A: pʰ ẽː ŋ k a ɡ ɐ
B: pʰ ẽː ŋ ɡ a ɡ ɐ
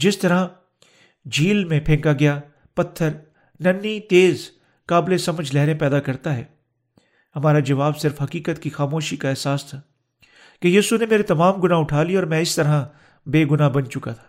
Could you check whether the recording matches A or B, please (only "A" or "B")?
A